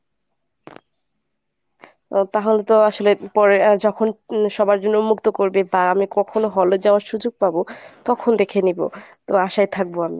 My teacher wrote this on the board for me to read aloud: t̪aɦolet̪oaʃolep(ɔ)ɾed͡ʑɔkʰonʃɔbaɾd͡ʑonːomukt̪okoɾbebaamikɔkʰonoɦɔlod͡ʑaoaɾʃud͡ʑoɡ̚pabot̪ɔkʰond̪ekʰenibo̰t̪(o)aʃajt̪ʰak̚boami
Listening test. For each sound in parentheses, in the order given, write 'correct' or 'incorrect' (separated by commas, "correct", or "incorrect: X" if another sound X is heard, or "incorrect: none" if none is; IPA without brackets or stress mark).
correct, correct